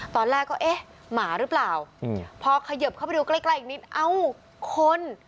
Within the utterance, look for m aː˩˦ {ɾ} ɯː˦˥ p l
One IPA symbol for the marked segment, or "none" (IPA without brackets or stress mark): ɾ